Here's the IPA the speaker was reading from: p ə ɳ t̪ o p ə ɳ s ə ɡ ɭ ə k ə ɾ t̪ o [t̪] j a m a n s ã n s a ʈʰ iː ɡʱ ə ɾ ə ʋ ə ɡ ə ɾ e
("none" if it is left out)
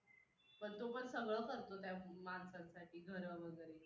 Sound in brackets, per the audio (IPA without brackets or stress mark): t̪